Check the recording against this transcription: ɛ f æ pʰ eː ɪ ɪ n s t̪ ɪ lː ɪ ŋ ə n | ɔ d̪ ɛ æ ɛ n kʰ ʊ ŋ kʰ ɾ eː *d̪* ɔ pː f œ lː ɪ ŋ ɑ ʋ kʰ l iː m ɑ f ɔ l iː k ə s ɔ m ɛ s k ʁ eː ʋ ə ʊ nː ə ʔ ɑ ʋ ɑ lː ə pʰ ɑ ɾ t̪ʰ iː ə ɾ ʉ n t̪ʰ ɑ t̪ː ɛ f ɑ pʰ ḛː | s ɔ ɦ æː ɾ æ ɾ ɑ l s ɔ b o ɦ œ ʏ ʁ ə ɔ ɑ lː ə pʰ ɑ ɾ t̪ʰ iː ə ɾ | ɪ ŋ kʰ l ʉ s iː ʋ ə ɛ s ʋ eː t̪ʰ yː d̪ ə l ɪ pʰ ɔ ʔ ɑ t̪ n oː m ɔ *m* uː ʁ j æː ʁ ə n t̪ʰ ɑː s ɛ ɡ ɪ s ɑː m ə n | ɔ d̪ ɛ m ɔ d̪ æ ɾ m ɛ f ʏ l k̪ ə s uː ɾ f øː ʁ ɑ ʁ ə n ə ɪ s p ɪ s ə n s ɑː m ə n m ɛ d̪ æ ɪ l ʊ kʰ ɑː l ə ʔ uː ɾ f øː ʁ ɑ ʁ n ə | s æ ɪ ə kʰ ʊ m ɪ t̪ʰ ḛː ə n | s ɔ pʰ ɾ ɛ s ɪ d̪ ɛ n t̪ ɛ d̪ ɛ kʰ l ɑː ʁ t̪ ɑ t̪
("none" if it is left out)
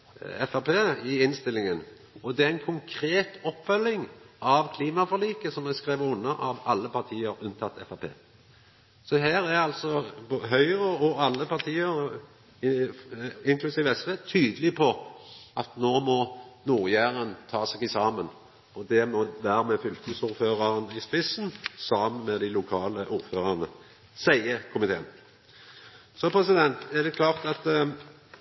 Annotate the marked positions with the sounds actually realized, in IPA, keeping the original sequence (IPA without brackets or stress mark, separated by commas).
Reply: t̪, n